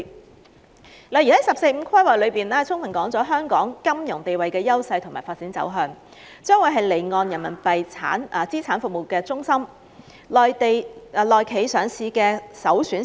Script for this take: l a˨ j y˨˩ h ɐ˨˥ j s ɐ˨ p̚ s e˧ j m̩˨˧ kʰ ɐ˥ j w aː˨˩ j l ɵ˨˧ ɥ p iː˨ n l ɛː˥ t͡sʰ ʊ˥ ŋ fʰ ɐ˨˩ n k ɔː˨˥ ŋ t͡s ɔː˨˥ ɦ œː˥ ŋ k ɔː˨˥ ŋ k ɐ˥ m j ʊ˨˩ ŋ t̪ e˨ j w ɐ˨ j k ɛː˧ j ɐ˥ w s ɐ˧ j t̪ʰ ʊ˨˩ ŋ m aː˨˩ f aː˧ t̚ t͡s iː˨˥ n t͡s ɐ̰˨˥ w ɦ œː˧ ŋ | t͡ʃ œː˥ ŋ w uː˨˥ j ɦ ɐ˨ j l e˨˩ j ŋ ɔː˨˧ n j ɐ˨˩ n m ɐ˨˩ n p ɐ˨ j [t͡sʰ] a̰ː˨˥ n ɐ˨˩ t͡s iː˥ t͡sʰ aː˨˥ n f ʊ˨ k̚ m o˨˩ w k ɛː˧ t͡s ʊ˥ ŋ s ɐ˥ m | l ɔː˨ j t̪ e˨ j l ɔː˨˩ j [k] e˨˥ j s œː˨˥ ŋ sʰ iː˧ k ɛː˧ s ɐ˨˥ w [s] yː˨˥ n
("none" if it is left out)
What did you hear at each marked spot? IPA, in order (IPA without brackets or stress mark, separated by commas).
t͡sʰ, kʰ, s